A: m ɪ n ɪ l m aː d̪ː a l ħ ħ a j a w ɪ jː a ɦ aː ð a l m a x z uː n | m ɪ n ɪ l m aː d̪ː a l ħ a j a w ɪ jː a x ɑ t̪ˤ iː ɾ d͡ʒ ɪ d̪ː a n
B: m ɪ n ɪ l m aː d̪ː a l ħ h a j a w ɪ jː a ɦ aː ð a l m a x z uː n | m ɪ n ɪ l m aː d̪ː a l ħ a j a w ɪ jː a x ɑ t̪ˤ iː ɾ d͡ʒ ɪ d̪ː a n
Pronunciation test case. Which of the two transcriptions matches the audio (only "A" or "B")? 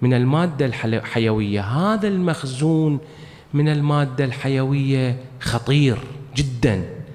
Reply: A